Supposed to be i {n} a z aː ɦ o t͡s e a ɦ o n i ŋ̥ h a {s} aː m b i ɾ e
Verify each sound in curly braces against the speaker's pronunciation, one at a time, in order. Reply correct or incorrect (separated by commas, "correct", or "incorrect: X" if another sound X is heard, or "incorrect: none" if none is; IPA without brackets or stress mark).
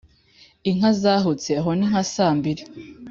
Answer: incorrect: ŋ, correct